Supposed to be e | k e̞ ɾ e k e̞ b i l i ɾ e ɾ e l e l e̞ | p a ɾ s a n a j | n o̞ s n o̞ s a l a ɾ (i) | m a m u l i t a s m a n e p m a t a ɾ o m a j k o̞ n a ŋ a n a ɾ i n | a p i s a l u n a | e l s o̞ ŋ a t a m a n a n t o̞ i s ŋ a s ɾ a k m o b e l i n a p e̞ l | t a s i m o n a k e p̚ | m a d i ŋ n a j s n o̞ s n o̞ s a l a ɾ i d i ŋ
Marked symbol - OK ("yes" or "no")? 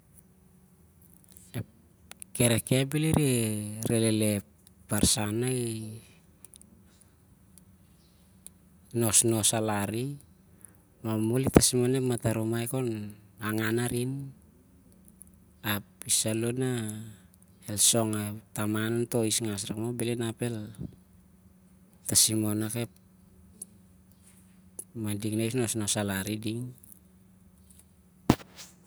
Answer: yes